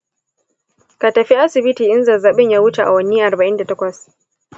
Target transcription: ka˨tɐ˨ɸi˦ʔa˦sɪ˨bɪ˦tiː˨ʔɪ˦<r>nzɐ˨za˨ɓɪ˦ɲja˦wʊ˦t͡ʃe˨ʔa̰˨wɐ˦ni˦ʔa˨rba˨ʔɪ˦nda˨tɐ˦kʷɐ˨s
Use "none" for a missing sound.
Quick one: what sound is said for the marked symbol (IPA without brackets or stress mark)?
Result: none